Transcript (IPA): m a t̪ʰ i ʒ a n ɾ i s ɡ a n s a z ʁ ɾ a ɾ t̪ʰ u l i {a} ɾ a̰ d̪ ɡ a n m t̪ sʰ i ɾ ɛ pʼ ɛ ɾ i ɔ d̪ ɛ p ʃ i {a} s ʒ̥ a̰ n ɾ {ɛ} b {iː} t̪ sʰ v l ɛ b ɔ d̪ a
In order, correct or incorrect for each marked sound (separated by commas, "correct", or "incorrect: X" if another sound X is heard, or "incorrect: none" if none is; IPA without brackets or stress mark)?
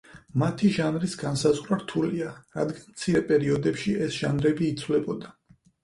correct, incorrect: ɛ, correct, correct